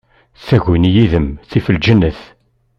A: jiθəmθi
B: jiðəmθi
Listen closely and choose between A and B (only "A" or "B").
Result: B